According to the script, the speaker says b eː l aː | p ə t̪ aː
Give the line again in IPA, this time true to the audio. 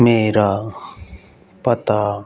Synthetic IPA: m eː ɾ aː | p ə t̪ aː